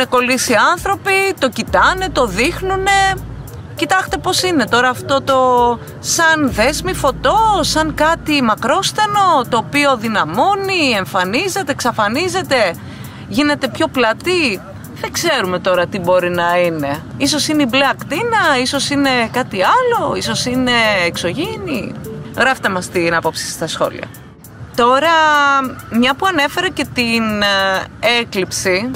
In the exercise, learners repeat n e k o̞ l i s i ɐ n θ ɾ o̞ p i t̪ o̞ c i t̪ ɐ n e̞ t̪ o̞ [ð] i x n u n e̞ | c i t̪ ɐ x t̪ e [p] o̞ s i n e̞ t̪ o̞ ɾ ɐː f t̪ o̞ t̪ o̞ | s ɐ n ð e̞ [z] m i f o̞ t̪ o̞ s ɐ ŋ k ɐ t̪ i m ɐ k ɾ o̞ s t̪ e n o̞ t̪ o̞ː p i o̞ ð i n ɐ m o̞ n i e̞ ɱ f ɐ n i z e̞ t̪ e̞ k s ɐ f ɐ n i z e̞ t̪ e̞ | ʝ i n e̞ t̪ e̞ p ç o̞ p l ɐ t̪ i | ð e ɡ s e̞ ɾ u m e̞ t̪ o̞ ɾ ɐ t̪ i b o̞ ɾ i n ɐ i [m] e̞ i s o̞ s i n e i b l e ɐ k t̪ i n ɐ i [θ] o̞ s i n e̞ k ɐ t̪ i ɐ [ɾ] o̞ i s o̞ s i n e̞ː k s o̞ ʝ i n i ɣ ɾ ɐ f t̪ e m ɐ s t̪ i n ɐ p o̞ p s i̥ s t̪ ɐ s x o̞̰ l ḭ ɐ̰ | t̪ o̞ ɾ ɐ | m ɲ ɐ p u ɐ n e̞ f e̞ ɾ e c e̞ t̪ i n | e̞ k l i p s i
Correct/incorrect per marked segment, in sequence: correct, correct, correct, incorrect: n, incorrect: s, incorrect: l

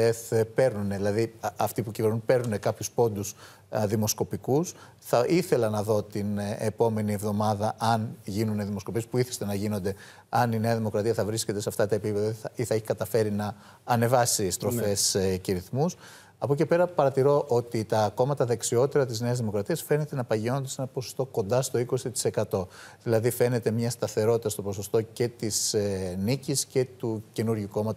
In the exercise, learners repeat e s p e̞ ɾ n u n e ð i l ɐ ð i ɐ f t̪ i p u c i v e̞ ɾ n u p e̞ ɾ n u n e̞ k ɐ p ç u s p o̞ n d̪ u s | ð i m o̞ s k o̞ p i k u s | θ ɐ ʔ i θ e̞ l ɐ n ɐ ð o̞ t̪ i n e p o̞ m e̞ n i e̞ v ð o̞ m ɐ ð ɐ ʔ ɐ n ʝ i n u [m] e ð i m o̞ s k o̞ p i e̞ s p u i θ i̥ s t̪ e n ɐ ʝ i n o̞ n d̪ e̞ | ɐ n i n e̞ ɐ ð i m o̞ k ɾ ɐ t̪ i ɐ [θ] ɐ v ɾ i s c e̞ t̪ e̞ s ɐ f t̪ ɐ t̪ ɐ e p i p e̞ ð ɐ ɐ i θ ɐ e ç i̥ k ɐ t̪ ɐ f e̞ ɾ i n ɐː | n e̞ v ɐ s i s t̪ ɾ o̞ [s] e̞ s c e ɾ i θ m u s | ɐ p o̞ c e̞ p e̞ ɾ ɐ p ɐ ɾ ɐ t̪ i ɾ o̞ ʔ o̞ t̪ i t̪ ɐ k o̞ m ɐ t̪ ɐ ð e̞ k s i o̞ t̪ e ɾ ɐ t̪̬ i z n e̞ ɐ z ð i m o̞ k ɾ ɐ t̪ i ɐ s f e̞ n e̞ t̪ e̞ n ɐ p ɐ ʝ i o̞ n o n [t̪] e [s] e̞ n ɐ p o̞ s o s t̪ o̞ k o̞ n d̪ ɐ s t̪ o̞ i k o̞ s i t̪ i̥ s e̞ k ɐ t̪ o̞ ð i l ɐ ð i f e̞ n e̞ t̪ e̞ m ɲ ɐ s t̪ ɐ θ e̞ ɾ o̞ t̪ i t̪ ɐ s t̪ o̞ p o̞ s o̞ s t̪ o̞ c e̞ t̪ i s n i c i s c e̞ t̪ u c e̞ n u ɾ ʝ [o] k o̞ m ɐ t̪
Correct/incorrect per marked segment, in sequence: incorrect: n, correct, incorrect: f, incorrect: d̪, correct, incorrect: u

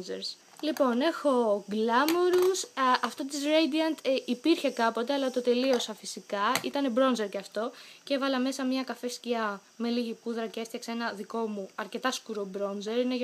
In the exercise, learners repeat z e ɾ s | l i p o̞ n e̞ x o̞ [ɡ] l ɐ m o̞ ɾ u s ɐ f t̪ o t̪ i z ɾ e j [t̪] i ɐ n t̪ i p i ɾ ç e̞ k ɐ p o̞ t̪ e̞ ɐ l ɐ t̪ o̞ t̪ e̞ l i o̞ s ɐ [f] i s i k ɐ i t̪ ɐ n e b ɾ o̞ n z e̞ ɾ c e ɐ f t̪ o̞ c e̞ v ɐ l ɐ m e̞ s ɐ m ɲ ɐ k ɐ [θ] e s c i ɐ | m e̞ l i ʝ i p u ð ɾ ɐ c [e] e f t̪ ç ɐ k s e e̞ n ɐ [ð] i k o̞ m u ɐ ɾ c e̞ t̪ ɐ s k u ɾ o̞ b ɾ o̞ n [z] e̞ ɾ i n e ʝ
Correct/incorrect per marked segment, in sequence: correct, incorrect: d̪, correct, incorrect: f, correct, correct, correct

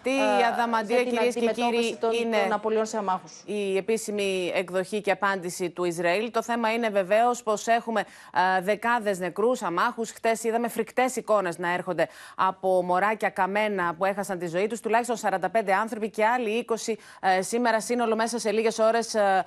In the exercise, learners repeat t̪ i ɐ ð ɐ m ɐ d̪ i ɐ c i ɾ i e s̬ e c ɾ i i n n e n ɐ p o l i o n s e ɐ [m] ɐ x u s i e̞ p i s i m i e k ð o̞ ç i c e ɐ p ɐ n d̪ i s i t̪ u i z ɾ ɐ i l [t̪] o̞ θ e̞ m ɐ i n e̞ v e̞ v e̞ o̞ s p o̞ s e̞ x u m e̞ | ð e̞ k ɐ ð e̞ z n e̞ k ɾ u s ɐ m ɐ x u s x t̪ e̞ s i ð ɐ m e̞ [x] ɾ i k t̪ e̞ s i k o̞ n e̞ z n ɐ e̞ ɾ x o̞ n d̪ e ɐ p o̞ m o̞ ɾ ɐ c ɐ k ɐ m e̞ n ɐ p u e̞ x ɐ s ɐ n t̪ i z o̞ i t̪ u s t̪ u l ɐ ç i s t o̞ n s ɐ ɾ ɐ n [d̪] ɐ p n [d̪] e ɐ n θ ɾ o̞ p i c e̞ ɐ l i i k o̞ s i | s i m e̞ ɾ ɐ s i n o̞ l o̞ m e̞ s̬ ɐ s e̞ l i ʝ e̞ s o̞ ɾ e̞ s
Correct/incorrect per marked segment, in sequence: correct, correct, incorrect: f, correct, correct

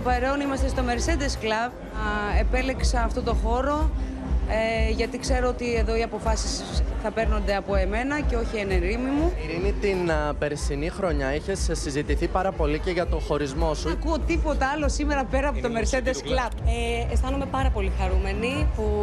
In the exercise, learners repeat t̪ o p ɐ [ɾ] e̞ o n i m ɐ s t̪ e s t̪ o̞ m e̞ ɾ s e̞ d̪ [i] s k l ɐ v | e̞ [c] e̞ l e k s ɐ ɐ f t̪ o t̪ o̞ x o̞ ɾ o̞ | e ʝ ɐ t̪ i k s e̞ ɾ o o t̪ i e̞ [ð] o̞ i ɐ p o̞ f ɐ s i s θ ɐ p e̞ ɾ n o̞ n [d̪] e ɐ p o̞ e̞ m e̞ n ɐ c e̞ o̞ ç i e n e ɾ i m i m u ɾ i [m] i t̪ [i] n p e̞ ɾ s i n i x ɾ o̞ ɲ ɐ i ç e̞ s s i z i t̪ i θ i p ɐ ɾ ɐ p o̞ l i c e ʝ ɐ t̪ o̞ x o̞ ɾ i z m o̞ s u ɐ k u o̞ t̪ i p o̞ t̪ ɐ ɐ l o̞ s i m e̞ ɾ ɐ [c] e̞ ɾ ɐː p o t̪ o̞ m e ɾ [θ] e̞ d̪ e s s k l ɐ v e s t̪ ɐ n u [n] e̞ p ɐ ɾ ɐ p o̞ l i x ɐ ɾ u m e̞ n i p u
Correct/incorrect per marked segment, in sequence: correct, incorrect: e, incorrect: p, correct, correct, incorrect: n, correct, incorrect: p, incorrect: s, incorrect: m

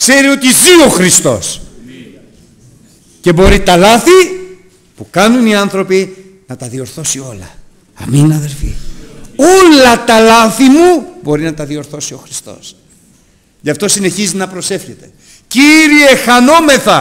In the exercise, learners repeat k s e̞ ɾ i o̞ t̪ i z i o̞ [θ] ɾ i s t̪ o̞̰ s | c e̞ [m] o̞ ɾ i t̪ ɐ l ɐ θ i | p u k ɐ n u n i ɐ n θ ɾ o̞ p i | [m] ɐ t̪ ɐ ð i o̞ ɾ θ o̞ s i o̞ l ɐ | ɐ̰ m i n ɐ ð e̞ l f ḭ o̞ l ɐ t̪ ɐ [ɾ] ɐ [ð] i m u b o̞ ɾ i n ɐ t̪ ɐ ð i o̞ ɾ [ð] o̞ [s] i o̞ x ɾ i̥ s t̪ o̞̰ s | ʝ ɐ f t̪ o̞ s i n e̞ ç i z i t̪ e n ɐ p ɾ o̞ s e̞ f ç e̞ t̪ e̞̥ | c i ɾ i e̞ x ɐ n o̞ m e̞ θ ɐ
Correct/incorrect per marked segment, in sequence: incorrect: x, incorrect: b, incorrect: n, incorrect: l, incorrect: θ, incorrect: θ, correct

